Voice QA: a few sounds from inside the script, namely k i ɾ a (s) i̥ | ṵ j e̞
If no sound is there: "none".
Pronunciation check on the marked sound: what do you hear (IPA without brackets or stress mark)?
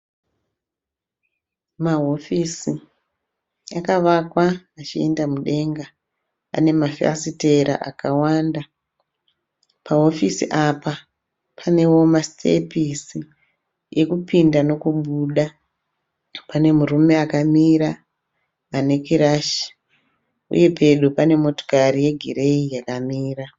ʃ